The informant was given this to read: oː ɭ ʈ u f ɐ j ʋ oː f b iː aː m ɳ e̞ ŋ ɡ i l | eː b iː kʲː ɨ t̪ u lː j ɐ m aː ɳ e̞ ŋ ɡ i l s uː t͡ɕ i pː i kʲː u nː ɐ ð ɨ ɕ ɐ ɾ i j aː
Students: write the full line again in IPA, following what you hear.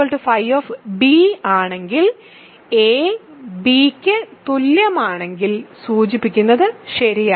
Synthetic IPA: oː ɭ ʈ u f ɐ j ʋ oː f b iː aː ɳ e̞ ŋ ɡ i l | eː b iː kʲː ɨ t̪ u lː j ɐ m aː ɳ e̞ ŋ ɡ i l s uː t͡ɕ i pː i kʲː u nː ɐ ð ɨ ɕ ɐ ɾ i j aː